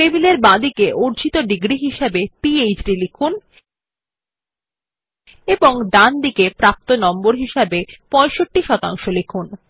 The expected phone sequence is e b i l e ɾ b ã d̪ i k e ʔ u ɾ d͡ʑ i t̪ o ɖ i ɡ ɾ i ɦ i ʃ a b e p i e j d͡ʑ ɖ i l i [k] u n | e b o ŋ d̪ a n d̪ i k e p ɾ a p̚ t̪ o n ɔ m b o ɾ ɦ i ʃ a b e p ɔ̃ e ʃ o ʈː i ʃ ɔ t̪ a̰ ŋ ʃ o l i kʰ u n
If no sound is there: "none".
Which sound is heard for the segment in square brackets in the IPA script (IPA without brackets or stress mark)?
kʰ